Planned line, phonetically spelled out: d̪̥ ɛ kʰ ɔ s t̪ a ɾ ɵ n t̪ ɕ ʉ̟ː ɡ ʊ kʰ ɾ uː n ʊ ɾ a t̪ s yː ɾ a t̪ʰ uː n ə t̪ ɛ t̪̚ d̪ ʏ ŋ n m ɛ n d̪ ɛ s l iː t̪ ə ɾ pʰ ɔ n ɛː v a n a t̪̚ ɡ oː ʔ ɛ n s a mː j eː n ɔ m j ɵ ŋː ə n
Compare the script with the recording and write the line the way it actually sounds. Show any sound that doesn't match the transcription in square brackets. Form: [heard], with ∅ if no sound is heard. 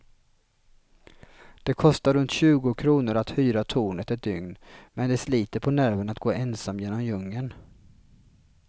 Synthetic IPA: d̪̥ ɛ kʰ ɔ s t̪ a ɾ ɵ n t̪ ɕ ʉ̟ː ɡ ʊ kʰ ɾ uː n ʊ ɾ a t̪ [h] yː ɾ a t̪ʰ uː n ə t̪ ɛ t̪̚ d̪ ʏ ŋ n m ɛ n d̪ ɛ s l iː t̪ ə ɾ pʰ ɔ n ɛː v [ə] n a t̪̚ ɡ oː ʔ ɛ n s a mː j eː n ɔ m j ɵ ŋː ə n